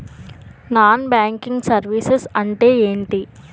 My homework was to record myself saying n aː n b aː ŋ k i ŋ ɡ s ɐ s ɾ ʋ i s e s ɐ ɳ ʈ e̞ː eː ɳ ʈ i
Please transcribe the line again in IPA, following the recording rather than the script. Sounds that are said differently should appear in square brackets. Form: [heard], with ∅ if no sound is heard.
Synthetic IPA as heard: n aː n b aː ŋ k i ŋ ɡ s ɐ [∅] ɾ ʋ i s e s ɐ ɳ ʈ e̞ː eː ɳ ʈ i